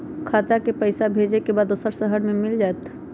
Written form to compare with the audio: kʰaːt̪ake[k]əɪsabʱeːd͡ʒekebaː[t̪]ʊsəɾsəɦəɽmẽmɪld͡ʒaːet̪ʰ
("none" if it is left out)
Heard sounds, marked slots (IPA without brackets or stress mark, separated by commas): p, d̪